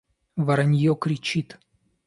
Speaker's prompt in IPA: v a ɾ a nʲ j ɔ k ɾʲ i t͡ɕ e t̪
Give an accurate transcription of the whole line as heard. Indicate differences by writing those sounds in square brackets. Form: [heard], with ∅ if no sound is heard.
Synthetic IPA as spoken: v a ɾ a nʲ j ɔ k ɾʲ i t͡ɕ [i] t̪